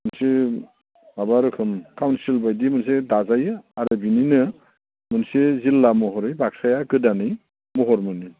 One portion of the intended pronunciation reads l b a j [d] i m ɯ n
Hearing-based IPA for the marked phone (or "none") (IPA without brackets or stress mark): d